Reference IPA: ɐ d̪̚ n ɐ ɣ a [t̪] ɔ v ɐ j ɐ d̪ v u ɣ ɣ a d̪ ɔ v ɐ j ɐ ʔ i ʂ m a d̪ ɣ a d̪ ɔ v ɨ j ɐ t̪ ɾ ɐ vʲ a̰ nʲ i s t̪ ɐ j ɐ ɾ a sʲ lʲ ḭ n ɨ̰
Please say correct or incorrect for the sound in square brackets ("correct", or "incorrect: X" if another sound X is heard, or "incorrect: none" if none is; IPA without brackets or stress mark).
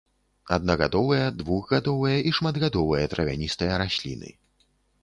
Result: incorrect: d̪